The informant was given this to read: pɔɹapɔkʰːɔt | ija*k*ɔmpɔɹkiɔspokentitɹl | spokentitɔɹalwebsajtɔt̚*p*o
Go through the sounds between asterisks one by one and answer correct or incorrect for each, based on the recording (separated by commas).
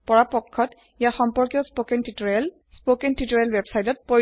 incorrect, correct